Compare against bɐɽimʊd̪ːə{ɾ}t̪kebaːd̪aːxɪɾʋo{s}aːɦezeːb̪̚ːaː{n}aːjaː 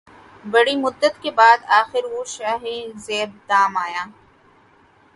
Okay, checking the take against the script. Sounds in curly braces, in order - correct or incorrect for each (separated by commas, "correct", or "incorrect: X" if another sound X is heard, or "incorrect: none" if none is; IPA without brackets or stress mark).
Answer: incorrect: none, incorrect: ʃ, incorrect: m